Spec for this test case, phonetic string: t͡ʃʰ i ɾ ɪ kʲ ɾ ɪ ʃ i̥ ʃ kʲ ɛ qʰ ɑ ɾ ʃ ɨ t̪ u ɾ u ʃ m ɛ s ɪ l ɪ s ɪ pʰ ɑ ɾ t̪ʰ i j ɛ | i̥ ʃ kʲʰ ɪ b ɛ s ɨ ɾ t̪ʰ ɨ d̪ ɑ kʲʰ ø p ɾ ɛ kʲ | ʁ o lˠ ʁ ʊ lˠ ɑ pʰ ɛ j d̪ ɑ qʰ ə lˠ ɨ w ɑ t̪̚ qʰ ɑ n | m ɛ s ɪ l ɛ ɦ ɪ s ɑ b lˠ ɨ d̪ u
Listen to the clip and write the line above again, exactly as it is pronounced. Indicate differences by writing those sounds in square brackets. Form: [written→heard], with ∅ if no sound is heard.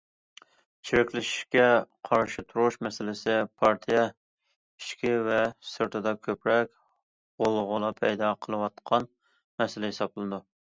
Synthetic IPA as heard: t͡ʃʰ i ɾ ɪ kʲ [ɾ→l] ɪ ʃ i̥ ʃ kʲ ɛ qʰ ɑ ɾ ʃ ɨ [t̪→t̪ʰ] u ɾ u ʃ m ɛ s ɪ l ɪ s ɪ pʰ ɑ ɾ t̪ʰ i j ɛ | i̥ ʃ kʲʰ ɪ [b→v] ɛ s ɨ ɾ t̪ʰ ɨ d̪ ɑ kʲʰ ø p ɾ ɛ kʲ | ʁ o lˠ ʁ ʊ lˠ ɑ pʰ ɛ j d̪ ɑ qʰ ə lˠ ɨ w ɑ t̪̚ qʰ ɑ n | m ɛ s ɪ l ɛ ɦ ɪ s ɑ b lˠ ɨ d̪ u